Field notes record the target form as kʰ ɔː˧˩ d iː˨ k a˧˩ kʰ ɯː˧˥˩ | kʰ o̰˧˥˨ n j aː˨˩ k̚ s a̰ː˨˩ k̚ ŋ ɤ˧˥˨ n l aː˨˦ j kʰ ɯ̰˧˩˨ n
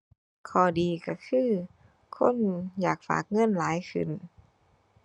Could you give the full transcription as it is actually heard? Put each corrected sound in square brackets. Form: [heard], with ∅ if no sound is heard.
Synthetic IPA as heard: kʰ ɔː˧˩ d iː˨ k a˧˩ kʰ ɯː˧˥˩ | kʰ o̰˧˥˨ n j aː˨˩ k̚ [f] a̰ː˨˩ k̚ ŋ ɤ˧˥˨ n l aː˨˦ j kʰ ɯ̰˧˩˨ n